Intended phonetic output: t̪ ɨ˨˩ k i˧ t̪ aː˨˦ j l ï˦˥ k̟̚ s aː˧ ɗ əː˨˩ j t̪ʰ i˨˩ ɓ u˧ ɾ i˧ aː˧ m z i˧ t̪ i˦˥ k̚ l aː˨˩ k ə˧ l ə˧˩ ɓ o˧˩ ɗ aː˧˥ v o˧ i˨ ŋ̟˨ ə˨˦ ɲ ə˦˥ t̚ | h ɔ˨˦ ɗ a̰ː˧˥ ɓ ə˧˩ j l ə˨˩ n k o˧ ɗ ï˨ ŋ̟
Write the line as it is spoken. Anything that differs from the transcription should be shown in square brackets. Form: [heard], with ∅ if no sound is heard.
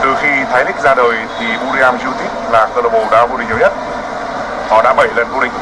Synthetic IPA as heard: t̪ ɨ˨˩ [x] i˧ [t̪ʰ] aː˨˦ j l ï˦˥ k̟̚ [z] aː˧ ɗ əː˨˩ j t̪ʰ i˨˩ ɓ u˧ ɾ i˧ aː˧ m z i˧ t̪ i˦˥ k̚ l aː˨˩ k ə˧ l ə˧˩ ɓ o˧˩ ɗ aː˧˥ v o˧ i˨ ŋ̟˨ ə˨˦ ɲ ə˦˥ t̚ | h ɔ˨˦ ɗ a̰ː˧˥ ɓ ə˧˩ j l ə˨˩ n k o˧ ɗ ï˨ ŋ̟